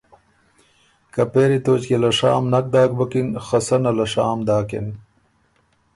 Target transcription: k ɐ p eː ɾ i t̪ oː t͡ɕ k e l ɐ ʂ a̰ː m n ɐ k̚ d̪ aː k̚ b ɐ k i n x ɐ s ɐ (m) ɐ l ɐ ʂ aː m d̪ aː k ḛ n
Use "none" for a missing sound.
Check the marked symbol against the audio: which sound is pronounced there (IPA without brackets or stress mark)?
n